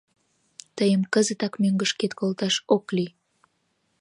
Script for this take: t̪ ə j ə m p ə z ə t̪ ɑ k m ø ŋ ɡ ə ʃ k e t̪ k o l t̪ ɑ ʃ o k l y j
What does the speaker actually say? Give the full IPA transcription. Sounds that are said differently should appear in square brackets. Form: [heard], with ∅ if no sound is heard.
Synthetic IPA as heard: t̪ ə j ə m [k] ə z ə t̪ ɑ k m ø ŋ ɡ ə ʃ k e t̪ k o l t̪ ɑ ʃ o k l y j

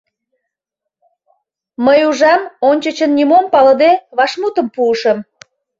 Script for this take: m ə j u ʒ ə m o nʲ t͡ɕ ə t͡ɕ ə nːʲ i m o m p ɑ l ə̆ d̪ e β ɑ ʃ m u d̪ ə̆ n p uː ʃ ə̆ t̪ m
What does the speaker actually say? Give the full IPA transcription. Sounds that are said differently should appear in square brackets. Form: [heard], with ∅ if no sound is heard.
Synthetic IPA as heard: m ə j u ʒ [ɑ] m o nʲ t͡ɕ ə t͡ɕ ə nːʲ i m o m p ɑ l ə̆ d̪ e β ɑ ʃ m u [t̪] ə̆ [m] p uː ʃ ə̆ [∅] m

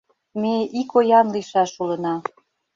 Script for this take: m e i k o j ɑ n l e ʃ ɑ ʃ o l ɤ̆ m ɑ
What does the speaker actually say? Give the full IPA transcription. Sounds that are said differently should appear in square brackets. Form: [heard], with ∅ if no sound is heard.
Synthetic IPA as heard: m e i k o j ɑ n l [i] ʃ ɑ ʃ [u] l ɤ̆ [n] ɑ

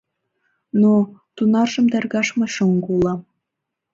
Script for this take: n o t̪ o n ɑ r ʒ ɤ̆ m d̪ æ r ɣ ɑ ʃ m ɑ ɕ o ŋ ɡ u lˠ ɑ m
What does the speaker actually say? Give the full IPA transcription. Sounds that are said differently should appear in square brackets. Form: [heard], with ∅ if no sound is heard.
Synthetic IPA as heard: n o t̪ [u] n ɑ r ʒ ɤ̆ m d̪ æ r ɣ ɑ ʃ m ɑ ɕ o ŋ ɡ u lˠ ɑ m

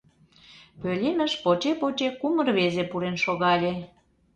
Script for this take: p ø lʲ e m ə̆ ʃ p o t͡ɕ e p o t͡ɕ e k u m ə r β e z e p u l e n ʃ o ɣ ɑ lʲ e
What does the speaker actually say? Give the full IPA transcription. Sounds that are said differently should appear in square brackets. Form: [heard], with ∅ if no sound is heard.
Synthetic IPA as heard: p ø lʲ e m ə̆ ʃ p o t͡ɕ e p o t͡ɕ e k u m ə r β e z e p u [ɾ] e n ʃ o ɣ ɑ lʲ e

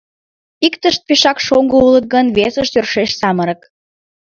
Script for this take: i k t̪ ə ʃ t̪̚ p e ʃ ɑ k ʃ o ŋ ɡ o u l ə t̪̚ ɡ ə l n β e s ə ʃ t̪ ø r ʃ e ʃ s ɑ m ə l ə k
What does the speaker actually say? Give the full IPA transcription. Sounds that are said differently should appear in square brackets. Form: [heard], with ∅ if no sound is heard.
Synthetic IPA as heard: i k t̪ ə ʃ t̪̚ p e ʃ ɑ k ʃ o ŋ ɡ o u l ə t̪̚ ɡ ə [∅] n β e s ə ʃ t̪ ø r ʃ e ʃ s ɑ m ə [ɾ] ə k

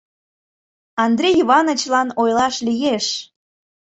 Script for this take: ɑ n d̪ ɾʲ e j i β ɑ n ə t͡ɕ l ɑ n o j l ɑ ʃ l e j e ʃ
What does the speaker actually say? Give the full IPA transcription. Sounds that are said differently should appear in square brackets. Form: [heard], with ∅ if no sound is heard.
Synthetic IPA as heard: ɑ n d̪ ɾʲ e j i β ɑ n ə t͡ɕ l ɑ n o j l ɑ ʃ l [i] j e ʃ

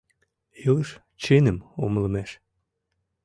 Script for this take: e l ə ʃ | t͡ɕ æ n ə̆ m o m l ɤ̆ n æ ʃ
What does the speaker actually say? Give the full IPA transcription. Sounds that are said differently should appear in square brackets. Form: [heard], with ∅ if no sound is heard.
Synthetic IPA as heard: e l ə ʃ | t͡ɕ [e] n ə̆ m o m l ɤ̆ [m] æ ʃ

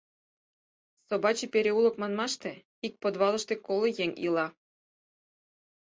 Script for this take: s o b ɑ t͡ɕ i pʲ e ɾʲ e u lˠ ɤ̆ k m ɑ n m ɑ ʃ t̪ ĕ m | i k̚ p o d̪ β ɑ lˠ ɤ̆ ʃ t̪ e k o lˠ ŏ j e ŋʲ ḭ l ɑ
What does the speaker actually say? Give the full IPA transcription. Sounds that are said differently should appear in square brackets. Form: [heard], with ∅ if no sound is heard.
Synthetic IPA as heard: s o b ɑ t͡ɕ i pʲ e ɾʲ e u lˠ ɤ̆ k m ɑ n m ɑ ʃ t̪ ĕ [∅] | i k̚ p o d̪ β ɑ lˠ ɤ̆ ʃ t̪ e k o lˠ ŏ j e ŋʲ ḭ l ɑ

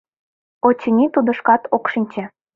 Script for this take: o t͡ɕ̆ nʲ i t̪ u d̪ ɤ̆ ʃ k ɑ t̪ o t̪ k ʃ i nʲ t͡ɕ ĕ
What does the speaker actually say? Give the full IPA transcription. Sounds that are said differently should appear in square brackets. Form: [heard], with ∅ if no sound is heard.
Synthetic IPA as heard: o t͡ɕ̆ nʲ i t̪ u d̪ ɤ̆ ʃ k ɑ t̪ o [∅] k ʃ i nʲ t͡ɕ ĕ

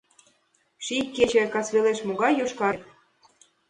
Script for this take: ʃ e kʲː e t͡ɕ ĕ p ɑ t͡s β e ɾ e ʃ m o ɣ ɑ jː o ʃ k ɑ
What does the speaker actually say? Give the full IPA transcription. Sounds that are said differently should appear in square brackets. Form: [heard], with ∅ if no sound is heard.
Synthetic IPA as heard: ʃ [i] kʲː e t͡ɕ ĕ [k] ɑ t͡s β e [l] e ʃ m o ɣ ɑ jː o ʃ k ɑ

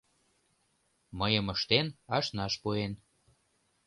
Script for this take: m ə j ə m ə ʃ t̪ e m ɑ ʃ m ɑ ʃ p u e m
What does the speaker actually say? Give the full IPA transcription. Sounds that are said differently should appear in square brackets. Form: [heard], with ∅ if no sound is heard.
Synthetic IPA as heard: m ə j ə m ə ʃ t̪ e [n] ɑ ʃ [n] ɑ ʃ p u e [n]

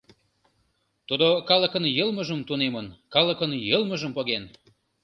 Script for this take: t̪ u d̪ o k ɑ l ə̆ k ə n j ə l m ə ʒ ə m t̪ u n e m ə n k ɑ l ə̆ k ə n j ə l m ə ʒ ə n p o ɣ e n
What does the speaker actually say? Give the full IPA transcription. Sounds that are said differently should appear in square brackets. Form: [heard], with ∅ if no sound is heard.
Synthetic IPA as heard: t̪ u d̪ o k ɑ l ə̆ k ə n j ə l m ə ʒ ə m t̪ u n e m ə n k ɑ l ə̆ k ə n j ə l m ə ʒ ə [m] p o ɣ e n

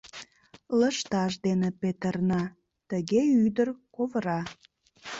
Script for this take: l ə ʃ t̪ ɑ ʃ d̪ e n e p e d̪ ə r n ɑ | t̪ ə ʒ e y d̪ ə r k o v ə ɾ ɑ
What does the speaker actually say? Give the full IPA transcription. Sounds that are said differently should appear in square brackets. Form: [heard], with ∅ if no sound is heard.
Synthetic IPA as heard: l ə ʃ t̪ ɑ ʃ d̪ e n e p e [t̪] ə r n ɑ | t̪ ə [ɣ] e y d̪ ə r k o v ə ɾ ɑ

